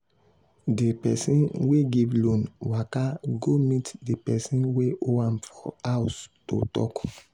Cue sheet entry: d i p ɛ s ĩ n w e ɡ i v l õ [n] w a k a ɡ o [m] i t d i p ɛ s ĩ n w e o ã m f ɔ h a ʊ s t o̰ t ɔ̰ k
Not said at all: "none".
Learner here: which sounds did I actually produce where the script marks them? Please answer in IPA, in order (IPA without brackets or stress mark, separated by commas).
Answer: n, m